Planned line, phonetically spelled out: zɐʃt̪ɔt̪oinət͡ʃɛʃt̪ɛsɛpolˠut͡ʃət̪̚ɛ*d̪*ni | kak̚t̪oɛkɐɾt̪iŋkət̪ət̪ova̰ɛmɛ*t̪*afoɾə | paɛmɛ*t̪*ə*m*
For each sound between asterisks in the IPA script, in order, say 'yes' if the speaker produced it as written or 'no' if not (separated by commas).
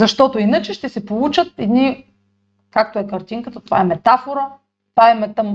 yes, yes, yes, yes